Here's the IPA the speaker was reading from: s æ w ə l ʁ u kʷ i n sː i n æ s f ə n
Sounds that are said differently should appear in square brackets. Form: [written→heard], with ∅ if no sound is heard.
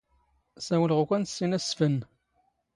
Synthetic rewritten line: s æ w ə l ʁ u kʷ [i→æ] n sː i n æ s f ə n